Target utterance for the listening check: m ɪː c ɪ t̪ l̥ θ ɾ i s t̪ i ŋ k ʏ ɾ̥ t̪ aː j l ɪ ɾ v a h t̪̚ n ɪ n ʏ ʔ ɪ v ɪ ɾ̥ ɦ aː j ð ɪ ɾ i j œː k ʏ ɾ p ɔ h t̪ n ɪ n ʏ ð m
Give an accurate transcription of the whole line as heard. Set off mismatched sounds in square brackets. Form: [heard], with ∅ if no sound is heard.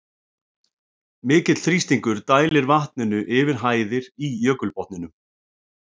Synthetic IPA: m ɪː c ɪ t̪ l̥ θ ɾ i s t̪ i ŋ k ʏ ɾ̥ t̪ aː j l ɪ ɾ v a h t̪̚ n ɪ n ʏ ʔ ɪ v ɪ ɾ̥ ɦ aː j ð ɪ ɾ i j œː k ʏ [l] p ɔ h t̪ n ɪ n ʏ [∅] m